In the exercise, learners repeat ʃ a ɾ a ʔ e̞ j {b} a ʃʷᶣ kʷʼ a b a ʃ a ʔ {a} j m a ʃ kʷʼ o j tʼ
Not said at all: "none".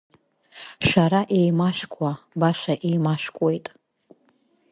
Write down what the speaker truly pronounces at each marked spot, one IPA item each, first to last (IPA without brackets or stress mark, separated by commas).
m, e